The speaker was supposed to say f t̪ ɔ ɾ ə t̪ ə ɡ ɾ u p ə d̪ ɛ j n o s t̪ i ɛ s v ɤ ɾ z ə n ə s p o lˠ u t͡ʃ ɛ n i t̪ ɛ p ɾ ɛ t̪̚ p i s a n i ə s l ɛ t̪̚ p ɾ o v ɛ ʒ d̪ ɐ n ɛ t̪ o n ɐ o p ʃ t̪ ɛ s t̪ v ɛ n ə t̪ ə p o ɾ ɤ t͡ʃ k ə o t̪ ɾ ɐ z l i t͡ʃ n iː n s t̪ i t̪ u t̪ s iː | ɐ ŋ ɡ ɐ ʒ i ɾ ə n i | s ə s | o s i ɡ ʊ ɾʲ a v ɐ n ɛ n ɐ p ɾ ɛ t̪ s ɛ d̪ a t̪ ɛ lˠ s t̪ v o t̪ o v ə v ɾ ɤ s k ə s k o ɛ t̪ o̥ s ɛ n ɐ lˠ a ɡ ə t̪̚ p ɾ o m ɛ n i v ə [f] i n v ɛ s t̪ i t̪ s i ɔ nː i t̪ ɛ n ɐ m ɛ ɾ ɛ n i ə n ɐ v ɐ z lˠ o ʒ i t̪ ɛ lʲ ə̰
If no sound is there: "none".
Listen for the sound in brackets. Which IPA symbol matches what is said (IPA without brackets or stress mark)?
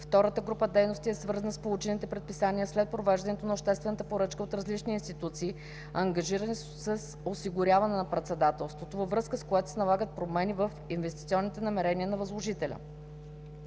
f